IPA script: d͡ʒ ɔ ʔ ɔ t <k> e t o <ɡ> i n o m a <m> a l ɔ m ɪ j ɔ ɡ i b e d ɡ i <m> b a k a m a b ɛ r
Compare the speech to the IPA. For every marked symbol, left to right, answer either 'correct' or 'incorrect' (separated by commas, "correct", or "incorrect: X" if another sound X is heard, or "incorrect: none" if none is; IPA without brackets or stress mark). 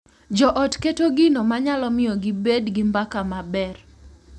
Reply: correct, correct, incorrect: ɲ, correct